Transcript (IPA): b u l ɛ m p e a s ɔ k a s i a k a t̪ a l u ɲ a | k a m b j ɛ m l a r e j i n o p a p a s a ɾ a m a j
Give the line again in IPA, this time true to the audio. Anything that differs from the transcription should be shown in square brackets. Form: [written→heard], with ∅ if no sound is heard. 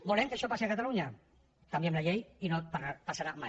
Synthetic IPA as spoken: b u l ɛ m [p→k] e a [s→ʃ] ɔ [k→p] a s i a k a t̪ a l u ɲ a | k a m b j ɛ m l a [r→ʎ] e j i n o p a p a s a ɾ a m a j